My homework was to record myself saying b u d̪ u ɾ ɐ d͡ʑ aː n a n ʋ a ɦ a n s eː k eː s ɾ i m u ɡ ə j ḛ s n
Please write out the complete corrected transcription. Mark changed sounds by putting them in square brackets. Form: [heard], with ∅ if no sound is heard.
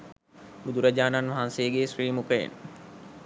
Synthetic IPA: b u d̪ u ɾ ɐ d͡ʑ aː n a n ʋ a ɦ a n s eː [ɡ] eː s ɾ [iː] m u [k] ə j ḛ [∅] n